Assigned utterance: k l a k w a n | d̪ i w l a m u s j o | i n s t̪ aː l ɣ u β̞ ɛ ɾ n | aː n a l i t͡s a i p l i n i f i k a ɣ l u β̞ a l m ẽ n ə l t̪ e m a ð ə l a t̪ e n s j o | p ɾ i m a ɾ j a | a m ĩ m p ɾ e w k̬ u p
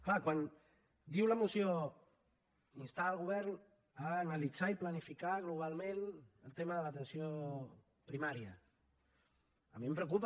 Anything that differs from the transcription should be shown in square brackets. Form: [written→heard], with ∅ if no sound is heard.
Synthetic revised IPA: k l a k w a n | d̪ i w l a m u s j o | i n s t̪ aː l ɣ u β̞ ɛ ɾ n | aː n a l i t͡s a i p l [i→a] n i f i k a ɣ l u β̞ a l m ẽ n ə l t̪ e m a ð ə l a t̪ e n s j o | p ɾ i m a ɾ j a | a m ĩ m p ɾ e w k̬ u p